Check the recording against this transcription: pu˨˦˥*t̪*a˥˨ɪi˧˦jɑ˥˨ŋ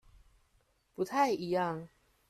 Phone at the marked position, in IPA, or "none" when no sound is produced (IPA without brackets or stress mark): t̪ʰ